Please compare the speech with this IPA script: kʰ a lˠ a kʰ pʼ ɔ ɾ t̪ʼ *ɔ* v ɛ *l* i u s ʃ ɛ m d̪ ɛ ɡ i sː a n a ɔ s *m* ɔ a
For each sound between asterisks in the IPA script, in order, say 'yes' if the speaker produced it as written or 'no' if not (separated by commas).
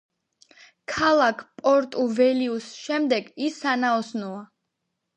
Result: no, yes, no